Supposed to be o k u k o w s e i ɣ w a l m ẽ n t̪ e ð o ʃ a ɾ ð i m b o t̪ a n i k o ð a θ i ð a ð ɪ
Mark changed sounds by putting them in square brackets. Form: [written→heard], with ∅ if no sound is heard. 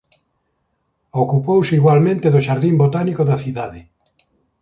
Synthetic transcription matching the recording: o k u [k→p] o w s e i ɣ w a l m ẽ n t̪ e ð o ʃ a ɾ ð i m b o t̪ a n i k o ð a θ i ð a ð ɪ

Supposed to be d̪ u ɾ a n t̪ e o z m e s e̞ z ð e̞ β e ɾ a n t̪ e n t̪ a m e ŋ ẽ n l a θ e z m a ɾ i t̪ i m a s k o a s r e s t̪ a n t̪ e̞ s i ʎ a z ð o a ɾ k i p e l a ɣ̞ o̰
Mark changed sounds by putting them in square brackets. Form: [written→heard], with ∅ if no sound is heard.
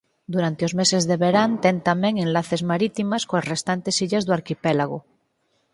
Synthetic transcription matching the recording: d̪ u ɾ a n t̪ e o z m e s e̞ z ð e̞ β e ɾ a n t̪ e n t̪ a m e ŋ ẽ n l a θ e z m a ɾ i t̪ i m a s k o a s r e s t̪ a n t̪ e̞ s i ʎ a z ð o a ɾ k i p e l a ɣ̞ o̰

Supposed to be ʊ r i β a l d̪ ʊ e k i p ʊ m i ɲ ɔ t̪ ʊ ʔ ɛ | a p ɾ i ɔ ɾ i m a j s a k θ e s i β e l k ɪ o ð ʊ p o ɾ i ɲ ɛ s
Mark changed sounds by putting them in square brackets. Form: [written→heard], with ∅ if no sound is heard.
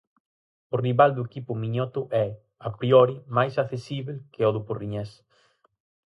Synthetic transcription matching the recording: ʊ r i β a l d̪ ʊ e k i p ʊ m i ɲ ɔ t̪ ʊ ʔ ɛ | a p ɾ i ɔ ɾ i m a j s a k θ e s i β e l k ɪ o ð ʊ p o [ɾ→r] i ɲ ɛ s

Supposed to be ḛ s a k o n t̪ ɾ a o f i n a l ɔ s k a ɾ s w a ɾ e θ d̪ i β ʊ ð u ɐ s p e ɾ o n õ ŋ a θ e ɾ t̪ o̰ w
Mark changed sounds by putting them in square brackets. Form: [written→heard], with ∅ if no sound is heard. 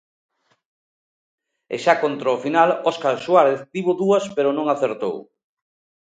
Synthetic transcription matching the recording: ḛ [s→ʃ] a k o n t̪ ɾ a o f i n a l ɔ s k a ɾ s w a ɾ e θ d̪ i β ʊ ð u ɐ s p e ɾ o n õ ŋ a θ e ɾ t̪ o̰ w

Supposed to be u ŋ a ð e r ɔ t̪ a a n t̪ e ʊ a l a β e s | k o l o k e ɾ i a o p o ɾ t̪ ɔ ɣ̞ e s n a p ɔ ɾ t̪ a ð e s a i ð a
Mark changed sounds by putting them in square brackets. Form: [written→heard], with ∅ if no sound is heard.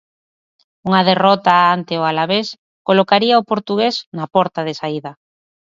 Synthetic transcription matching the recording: u ŋ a ð e r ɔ t̪ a a n t̪ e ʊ a l a β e s | k o l o k [e→a] ɾ i a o p o ɾ t̪ [ɔ→u] ɣ̞ e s n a p ɔ ɾ t̪ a ð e s a i ð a

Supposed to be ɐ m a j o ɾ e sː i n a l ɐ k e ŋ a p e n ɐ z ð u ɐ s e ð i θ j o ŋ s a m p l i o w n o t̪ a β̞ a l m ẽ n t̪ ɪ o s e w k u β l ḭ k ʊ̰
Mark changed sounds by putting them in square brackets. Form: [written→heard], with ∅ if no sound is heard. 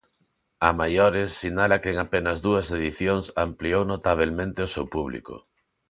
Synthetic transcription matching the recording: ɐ m a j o ɾ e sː i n a l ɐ k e ŋ a p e n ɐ z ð u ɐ s e ð i θ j o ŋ s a m p l i o w n o t̪ a β̞ [a→e] l m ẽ n t̪ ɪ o s e w [k→p] u β l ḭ k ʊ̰

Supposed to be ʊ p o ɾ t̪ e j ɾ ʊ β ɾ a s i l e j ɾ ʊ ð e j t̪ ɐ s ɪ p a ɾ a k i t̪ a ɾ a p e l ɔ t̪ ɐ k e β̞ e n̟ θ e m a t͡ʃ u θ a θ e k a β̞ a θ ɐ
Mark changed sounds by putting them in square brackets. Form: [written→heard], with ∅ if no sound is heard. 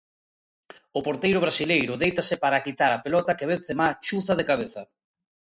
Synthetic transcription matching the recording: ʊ p o ɾ t̪ e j ɾ ʊ β ɾ a s i l e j ɾ ʊ ð e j t̪ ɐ s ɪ p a ɾ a k i t̪ a ɾ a p e l ɔ t̪ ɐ k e β̞ e n̟ θ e m a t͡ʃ u θ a [θ→ð] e k a β̞ [a→e] θ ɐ

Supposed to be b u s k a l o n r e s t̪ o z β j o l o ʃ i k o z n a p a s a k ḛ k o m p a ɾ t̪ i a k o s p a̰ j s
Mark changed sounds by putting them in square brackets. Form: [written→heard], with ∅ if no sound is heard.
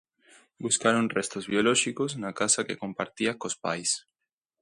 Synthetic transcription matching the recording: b u s k a [l→ɾ] o n r e s t̪ o z β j o l o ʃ i k o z n a [p→k] a s a k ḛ k o m p a ɾ t̪ i a k o s p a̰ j s

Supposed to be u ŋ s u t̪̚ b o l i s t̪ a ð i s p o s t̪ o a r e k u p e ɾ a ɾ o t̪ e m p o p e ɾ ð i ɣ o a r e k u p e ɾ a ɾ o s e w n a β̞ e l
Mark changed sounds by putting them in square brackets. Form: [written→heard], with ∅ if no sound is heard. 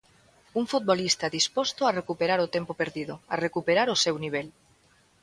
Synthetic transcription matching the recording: u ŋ [s→f] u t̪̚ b o l i s t̪ a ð i s p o s t̪ o a r e k u p e ɾ a ɾ o t̪ e m p o p e ɾ ð i [ɣ→ð] o a r e k u p e ɾ a ɾ o s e w n [a→i] β̞ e l

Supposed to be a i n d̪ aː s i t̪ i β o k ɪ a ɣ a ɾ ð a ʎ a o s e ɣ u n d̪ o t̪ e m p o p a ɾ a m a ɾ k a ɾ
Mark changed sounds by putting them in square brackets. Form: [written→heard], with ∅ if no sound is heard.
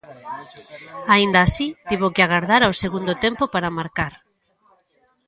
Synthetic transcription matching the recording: a i n d̪ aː s i t̪ i β o k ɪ a ɣ a ɾ ð a [ʎ→ɾ] a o s e ɣ u n d̪ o t̪ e m p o p a ɾ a m a ɾ k a ɾ

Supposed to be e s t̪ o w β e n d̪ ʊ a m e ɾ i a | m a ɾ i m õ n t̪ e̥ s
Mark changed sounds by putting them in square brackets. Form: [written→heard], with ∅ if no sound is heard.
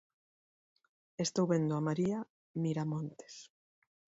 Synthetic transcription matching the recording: e s t̪ o w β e n d̪ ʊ a m [e→a] ɾ i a | m [a→i] ɾ [i→a] m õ n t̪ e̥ s

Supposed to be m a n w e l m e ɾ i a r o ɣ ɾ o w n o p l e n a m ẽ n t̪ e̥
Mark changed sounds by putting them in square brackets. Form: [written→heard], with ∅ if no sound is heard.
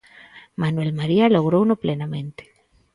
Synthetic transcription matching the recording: m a n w e l m [e→a] ɾ i a [r→l] o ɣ ɾ o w n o p l e n a m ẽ n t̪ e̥

